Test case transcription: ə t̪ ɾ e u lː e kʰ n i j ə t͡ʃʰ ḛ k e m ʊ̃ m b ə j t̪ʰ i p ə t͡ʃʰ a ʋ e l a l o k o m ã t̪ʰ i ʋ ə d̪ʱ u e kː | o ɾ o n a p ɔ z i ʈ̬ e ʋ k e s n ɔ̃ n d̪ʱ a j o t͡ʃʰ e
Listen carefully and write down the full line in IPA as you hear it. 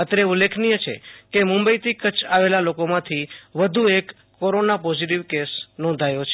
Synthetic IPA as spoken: ə t̪ ɾ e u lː e kʰ n i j ə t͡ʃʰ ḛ k e m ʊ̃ m b ə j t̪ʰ i k ə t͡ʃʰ a ʋ e l a l o k o m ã t̪ʰ i ʋ ə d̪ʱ u e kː | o ɾ o n a p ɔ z i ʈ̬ i ʋ k e s n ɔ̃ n d̪ʱ a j o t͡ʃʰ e